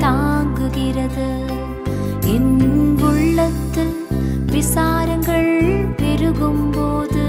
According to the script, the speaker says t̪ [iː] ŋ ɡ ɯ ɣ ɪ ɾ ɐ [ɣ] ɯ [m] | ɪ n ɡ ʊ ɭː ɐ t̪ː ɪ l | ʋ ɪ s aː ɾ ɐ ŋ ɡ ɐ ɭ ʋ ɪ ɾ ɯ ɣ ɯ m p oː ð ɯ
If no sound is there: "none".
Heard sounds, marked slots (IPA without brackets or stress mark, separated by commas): aː, ð, none